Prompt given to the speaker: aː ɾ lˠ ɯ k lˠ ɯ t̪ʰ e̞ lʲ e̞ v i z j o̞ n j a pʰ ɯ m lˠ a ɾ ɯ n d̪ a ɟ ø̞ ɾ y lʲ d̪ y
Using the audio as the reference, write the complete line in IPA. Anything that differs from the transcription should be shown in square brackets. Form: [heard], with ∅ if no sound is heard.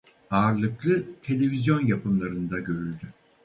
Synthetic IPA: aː ɾ lˠ ɯ k lˠ ɯ t̪ʰ e̞ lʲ e̞ v i z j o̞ n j a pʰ ɯ m lˠ a ɾ ɯ n d̪ a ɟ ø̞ ɾ y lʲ d̪ y

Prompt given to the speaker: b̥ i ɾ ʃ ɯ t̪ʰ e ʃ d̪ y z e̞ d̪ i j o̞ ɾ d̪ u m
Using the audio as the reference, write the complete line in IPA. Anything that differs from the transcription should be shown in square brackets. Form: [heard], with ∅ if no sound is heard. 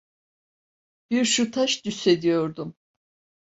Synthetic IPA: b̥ i ɾ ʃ [u] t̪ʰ [a] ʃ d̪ y [s] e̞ d̪ i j o̞ ɾ d̪ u m

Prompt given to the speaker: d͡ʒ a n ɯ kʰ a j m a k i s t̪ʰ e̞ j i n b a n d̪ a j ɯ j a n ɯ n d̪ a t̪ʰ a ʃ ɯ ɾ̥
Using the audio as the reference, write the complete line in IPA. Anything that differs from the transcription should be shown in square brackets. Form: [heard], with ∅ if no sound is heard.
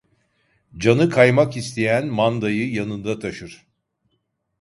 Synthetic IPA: d͡ʒ a n ɯ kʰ a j m a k i s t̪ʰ e̞ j [æ] n [m] a n d̪ a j ɯ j a n ɯ n d̪ a t̪ʰ a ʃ ɯ ɾ̥

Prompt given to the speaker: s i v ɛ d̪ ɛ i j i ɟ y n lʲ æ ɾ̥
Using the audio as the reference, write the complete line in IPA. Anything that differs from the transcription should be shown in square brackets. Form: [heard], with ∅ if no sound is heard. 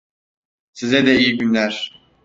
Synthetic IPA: s i [z] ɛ d̪ ɛ i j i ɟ y n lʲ æ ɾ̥

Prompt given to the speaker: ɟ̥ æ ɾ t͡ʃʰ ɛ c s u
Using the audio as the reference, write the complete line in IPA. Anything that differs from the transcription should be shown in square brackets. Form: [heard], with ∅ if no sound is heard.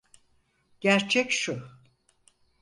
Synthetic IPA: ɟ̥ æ ɾ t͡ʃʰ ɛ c [ʃ] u

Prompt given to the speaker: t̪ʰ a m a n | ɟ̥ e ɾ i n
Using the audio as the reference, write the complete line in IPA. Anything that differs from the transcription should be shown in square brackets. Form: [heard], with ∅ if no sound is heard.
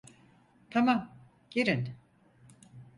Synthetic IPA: t̪ʰ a m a [m] | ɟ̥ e ɾ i n

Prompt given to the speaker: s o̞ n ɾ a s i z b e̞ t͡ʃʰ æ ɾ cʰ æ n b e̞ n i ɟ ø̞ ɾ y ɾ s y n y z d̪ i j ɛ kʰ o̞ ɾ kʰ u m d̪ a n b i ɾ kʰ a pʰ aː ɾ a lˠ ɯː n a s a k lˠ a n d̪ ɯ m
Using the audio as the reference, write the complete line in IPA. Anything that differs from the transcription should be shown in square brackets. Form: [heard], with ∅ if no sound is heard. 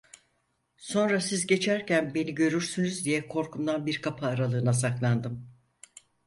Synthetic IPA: s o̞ n ɾ a s i z [ɟ] e̞ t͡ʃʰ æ ɾ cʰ æ n b e̞ n i ɟ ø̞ ɾ y ɾ s y n y z d̪ i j ɛ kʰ o̞ ɾ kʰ u m d̪ a n b i ɾ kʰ a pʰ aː ɾ a lˠ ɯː n a s a k lˠ a n d̪ ɯ m

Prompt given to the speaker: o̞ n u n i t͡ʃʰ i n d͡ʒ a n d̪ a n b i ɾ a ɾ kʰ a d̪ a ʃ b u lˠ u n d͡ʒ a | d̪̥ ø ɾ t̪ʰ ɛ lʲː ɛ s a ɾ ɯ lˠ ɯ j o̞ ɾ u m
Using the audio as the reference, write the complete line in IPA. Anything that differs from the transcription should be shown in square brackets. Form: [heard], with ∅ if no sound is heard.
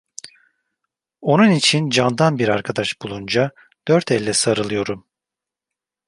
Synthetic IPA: o̞ n u n i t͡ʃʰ i n d͡ʒ a n d̪ a n b i ɾ a ɾ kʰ a d̪ a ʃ b u lˠ u n d͡ʒ a | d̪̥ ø ɾ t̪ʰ ɛ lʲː ɛ s a ɾ ɯ lˠ ɯ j o̞ ɾ u m

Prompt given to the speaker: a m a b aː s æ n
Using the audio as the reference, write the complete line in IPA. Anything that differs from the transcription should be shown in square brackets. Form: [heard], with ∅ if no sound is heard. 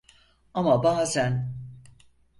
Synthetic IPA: a m a b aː [z] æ n

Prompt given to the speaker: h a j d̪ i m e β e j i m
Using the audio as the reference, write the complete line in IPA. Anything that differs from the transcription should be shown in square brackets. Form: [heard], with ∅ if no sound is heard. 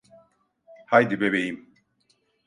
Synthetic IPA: h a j d̪ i [b] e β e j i m

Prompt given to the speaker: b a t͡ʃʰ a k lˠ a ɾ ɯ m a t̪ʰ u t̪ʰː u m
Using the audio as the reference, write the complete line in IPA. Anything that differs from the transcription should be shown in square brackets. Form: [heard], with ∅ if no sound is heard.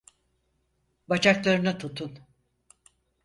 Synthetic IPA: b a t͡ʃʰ a k lˠ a ɾ ɯ [n] a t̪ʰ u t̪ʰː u [n]

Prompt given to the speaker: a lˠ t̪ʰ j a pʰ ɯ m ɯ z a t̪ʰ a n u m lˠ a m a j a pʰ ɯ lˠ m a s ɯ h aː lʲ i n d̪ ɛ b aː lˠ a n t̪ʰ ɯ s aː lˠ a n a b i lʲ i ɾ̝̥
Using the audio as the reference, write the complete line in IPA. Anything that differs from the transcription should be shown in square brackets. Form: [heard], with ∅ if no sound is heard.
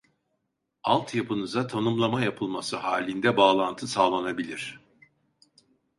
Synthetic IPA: a lˠ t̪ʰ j a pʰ ɯ [n] ɯ z a t̪ʰ a n u m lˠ a m a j a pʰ ɯ lˠ m a s ɯ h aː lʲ i n d̪ ɛ b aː lˠ a n t̪ʰ ɯ s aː lˠ a n a b i lʲ i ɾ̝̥

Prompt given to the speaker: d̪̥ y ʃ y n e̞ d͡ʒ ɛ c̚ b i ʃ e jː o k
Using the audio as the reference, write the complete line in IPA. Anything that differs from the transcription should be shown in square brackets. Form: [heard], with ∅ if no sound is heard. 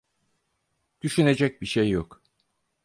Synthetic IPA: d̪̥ y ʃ y n e̞ d͡ʒ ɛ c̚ b i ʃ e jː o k

